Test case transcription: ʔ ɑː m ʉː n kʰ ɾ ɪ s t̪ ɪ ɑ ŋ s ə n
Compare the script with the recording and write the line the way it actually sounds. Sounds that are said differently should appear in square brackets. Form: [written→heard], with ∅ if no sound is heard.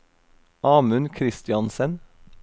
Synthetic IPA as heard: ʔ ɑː m [ʉː→ʉ] n kʰ ɾ ɪ s t̪ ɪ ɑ [ŋ→n] s ə n